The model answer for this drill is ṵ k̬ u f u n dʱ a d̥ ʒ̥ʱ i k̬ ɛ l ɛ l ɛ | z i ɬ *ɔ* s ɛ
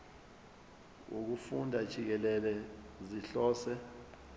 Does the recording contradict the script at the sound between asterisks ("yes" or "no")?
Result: yes